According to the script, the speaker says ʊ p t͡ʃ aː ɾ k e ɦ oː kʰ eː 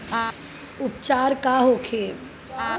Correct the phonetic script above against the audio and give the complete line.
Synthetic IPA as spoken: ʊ p t͡ʃ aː ɾ k a ɦ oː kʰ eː